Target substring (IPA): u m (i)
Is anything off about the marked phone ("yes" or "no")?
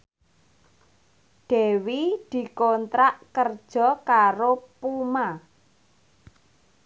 yes